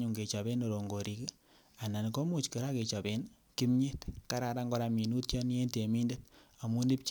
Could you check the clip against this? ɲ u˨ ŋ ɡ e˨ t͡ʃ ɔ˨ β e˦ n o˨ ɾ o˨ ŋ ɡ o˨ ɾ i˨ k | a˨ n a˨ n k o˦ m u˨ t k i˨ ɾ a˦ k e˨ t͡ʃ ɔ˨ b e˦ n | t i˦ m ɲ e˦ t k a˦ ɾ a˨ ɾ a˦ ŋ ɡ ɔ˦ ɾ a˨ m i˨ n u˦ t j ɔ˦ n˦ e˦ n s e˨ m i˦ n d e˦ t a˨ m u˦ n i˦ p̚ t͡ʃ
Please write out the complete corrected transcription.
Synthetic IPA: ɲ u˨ ŋ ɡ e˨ t͡ʃ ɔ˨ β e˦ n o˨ ɾ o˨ ŋ ɡ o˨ ɾ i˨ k | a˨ n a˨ n k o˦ m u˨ t͡ʃ k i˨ ɾ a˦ k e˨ t͡ʃ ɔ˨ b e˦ n | k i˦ m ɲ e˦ t k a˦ ɾ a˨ ɾ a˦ ŋ ɡ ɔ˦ ɾ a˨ m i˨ n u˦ t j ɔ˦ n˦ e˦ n t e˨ m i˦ n d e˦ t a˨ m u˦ n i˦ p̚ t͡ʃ